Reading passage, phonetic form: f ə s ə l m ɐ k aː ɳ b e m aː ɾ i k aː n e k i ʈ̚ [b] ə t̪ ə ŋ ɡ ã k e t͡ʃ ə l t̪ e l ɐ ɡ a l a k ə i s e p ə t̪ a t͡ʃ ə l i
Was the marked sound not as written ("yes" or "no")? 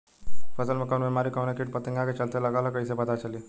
yes